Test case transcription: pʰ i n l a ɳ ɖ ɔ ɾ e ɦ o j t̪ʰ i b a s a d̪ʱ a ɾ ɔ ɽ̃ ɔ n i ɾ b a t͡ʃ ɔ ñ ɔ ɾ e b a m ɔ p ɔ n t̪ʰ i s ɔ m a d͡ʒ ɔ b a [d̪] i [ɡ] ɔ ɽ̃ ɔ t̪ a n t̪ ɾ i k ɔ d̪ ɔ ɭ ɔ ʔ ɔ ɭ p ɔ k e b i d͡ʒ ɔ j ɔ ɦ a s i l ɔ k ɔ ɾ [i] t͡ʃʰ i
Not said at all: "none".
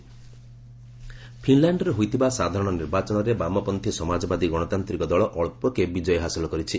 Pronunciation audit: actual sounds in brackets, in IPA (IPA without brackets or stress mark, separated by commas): d̪, ɡ, i